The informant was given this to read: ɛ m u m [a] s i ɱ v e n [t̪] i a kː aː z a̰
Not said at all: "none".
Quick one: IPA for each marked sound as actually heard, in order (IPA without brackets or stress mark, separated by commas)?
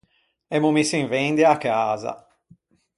i, d̪